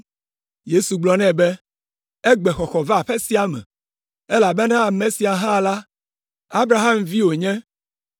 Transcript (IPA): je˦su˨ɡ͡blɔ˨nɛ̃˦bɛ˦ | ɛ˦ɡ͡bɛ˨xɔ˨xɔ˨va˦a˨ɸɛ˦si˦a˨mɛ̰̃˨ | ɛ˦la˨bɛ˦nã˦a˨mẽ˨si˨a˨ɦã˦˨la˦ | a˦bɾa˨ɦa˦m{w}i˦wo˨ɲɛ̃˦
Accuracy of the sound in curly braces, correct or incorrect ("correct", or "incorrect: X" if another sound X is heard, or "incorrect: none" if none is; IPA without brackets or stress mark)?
incorrect: v